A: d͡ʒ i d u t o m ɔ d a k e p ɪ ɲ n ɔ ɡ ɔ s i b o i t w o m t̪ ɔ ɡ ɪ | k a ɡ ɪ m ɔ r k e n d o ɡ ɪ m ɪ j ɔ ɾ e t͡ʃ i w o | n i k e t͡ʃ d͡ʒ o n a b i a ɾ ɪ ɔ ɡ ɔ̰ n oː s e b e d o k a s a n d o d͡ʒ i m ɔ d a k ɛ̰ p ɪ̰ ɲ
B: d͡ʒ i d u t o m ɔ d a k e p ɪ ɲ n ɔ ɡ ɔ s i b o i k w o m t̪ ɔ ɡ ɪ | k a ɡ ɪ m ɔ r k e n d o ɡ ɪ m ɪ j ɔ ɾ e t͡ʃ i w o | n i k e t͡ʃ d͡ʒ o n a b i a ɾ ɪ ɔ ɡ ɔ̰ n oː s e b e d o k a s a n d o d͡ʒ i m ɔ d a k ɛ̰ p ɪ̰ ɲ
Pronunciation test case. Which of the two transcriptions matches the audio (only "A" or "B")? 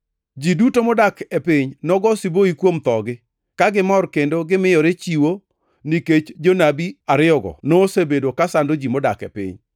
B